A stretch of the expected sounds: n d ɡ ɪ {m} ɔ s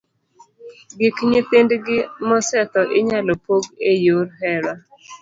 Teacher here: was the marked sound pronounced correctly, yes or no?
yes